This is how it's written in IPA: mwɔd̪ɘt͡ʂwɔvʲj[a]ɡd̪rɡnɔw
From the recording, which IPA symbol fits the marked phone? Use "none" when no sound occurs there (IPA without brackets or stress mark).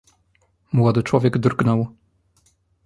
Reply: ɛ